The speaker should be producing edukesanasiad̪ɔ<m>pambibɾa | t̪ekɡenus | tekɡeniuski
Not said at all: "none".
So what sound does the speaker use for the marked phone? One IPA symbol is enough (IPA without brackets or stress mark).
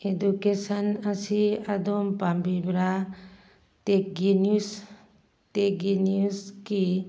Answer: m